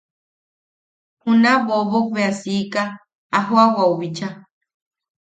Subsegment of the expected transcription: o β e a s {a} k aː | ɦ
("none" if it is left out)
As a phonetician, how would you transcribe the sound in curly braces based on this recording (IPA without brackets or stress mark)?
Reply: i